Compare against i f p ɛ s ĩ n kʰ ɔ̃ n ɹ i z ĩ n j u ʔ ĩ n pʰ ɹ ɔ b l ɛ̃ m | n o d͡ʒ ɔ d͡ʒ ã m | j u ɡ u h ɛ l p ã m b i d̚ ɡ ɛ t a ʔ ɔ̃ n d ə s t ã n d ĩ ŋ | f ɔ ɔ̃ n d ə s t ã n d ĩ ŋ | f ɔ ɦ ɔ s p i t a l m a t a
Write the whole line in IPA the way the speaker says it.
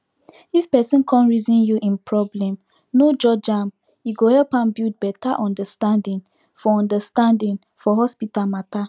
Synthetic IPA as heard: i f p ɛ s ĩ n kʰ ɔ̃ n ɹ i z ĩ n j u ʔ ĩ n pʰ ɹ ɔ b l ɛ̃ m | n o d͡ʒ ɔ d͡ʒ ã m | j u ɡ o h ɛ l p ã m b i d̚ b ɛ t a ʔ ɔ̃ n d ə s t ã n d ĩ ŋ | f ɔ ɔ̃ n d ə s t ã n d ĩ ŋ | f ɔ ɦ ɔ s p i t a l m a t a